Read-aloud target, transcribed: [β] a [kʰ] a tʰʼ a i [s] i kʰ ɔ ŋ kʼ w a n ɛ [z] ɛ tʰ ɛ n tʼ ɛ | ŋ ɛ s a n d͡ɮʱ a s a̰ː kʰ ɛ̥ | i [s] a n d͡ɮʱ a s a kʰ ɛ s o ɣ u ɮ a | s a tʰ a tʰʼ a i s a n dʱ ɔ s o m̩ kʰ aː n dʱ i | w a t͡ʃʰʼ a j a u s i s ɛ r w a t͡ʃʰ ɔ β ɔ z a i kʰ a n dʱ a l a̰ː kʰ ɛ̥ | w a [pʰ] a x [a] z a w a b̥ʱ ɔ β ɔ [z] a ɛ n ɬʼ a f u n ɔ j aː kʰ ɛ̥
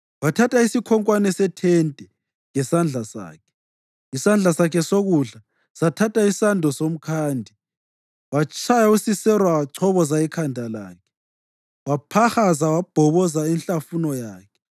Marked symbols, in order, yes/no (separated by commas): no, no, yes, no, yes, yes, yes, yes